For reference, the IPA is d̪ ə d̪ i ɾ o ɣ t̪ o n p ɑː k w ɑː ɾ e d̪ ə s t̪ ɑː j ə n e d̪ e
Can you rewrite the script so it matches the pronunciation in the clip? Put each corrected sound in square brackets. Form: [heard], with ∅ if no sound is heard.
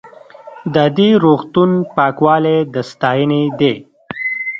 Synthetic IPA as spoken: d̪ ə d̪ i ɾ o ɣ t̪ [u] n p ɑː k w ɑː [l] e d̪ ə s t̪ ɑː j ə n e d̪ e